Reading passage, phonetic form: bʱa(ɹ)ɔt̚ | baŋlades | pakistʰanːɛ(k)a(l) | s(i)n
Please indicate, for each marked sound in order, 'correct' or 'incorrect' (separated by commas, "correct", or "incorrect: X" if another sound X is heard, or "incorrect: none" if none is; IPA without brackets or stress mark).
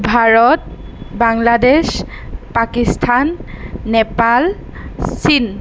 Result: correct, incorrect: p, correct, correct